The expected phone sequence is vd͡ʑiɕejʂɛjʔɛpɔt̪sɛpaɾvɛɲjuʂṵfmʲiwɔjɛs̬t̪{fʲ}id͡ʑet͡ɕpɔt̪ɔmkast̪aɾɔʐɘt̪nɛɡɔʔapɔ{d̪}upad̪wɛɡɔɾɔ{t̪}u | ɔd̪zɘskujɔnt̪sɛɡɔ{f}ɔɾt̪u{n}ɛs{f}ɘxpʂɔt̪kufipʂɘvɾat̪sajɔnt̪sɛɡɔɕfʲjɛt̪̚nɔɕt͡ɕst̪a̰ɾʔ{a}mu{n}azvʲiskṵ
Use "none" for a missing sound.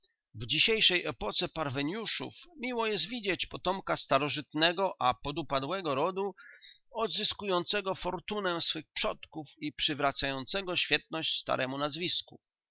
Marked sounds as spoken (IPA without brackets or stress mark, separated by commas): vʲ, d̪, d̪, f, n, f, ɛ, n